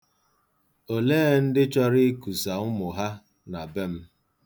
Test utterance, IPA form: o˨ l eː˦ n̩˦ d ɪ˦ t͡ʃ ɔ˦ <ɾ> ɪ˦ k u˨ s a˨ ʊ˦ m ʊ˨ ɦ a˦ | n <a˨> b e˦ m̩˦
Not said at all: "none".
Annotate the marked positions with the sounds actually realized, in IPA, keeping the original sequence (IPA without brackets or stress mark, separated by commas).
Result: ɾ, a˨